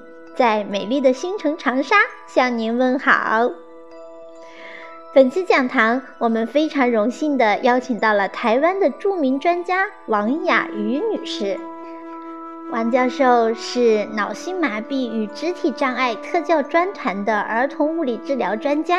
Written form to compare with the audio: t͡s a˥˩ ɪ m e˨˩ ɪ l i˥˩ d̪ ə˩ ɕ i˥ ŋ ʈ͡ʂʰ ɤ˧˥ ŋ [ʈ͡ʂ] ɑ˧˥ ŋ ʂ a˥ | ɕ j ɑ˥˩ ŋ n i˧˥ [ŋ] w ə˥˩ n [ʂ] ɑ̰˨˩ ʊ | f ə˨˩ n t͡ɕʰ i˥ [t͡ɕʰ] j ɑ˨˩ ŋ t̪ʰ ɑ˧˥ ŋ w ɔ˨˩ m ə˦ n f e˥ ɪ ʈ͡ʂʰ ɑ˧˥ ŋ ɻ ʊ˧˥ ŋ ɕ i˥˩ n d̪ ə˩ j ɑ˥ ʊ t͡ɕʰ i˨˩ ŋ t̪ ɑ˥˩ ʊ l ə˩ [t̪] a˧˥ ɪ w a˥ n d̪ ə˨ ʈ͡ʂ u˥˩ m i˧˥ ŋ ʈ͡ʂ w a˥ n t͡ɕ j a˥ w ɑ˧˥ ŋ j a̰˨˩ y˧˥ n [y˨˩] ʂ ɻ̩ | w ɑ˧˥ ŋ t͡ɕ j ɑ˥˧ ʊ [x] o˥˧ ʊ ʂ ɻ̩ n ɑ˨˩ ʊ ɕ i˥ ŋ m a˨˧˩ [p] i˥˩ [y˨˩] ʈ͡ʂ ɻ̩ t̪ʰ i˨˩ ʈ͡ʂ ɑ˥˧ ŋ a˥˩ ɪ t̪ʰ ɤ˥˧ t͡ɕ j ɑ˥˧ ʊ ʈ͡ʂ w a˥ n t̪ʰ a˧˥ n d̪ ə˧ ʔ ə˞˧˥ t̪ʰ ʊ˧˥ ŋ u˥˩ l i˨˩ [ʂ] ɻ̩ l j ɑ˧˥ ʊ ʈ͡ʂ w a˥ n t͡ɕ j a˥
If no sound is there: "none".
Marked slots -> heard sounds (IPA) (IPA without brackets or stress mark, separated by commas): ʈ͡ʂʰ, n, x, t͡ɕ, t̪ʰ, y˨˩, ʂ, p, y˨˩, ʈ͡ʂ